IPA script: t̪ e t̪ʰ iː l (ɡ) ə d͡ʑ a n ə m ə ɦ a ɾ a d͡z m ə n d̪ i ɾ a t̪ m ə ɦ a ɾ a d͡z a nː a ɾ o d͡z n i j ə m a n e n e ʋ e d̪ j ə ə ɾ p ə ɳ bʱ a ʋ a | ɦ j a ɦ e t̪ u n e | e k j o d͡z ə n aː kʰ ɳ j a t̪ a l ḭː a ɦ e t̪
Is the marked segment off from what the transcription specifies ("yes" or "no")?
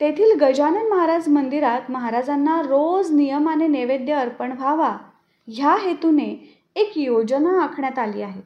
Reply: no